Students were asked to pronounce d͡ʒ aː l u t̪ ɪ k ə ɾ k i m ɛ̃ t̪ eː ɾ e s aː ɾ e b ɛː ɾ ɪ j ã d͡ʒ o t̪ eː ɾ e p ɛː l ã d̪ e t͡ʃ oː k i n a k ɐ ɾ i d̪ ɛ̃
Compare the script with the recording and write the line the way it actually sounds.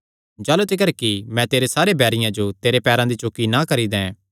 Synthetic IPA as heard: d͡ʒ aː l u t̪ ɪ k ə ɾ k i m ɛ̃ t̪ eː ɾ e s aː ɾ e b ɛː ɾ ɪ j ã d͡ʒ o t̪ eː ɾ e p ɛː ɾ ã d̪ i t͡ʃ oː k i n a k ɐ ɾ i d̪ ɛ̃